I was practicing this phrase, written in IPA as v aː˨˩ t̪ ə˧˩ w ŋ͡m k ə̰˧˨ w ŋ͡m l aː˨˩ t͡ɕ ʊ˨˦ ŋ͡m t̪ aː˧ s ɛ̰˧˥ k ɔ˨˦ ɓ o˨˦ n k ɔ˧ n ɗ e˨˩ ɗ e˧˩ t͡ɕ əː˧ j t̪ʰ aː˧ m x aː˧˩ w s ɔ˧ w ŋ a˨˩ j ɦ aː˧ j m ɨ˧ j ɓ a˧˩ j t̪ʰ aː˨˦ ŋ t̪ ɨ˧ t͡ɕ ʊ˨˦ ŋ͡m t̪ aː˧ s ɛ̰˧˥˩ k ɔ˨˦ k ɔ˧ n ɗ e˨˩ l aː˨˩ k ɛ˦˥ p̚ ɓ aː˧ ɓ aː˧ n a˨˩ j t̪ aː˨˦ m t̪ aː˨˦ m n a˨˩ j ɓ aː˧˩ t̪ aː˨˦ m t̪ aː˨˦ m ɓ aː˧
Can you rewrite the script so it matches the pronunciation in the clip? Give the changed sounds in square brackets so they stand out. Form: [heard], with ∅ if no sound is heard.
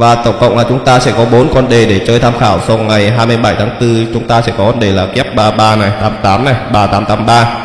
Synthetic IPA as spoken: v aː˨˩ t̪ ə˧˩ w ŋ͡m k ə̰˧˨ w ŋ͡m l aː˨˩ t͡ɕ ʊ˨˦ ŋ͡m t̪ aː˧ s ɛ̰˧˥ k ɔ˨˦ ɓ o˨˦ n k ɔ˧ n ɗ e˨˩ ɗ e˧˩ t͡ɕ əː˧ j t̪ʰ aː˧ m x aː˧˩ w s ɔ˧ w ŋ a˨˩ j ɦ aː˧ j m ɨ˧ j ɓ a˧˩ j t̪ʰ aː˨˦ ŋ t̪ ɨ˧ t͡ɕ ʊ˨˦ ŋ͡m t̪ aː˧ s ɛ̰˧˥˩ k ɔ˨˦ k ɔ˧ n ɗ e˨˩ l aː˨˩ k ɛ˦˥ p̚ ɓ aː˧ ɓ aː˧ n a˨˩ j t̪ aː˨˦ m t̪ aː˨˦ m n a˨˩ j ɓ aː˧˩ t̪ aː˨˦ m t̪ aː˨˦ m ɓ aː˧